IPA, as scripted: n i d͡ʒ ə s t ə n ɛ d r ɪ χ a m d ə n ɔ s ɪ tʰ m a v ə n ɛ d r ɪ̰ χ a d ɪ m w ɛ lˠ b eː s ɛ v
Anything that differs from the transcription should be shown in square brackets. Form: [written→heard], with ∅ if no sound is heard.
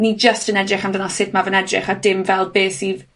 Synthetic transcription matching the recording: n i d͡ʒ ə s t ə n ɛ d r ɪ χ a m d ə n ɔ s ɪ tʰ m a v ə n ɛ d r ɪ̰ χ a d ɪ m [w→v] ɛ lˠ b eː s [ɛ→i] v

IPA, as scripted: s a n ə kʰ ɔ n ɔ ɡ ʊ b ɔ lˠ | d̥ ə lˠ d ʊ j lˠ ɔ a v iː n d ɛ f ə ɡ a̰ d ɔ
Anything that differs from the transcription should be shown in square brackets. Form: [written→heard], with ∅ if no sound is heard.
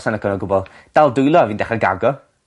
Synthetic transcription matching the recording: s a n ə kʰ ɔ n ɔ ɡ ʊ b ɔ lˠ | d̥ [ə→a] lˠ d ʊ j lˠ ɔ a v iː n d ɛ [f→χ] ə ɡ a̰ [d→ɡ] ɔ

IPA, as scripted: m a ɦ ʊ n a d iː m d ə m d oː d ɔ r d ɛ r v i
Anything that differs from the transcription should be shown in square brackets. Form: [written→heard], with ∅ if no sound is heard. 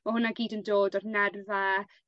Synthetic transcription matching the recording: m a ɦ ʊ n a [d→ɡ] iː [m→∅] d ə [m→n] d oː d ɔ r [d→n] ɛ r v [i→a]

